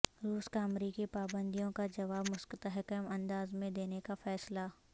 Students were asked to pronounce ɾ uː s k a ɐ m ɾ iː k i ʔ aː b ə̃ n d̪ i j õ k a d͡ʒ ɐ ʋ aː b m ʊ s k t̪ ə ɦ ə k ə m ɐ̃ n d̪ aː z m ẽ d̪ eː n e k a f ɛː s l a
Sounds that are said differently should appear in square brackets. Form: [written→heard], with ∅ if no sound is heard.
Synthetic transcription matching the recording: ɾ uː s k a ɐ m ɾ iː k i [ʔ→p] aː b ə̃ n d̪ i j õ k a d͡ʒ ɐ ʋ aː b m ʊ s k t̪ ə ɦ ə k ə m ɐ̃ n d̪ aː z m ẽ d̪ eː n e k a f ɛː s l a